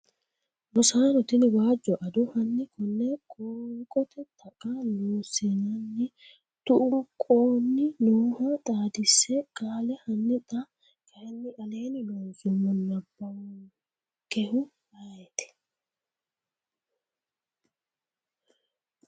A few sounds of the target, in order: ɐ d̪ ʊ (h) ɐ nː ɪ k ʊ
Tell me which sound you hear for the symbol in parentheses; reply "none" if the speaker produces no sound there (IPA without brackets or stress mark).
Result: h